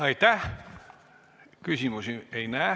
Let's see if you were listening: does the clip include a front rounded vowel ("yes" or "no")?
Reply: yes